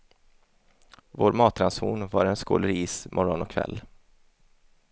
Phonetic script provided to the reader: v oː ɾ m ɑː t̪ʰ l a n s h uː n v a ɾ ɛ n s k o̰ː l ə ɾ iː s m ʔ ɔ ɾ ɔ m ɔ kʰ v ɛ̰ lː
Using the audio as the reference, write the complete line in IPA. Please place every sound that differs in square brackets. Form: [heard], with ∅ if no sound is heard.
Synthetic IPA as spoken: v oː ɾ m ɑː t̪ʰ [ɾ] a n s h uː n v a ɾ ɛ n s k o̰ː l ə ɾ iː s m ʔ ɔ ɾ ɔ [n] ɔ kʰ v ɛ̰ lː